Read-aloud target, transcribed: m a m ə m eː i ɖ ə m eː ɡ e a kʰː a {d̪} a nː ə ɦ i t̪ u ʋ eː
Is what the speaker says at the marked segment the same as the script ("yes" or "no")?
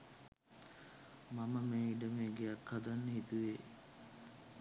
yes